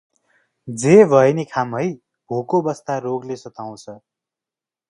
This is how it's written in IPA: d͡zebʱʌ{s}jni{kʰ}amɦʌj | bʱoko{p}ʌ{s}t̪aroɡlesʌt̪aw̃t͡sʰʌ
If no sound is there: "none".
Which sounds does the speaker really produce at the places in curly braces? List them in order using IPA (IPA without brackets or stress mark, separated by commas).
none, kʰ, b, s